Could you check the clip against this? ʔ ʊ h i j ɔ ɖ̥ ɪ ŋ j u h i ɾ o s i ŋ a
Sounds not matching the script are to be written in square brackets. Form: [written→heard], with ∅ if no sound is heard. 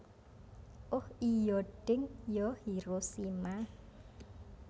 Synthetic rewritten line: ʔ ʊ h i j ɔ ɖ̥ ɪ ŋ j [u→ɔ] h i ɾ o s i [ŋ→m] a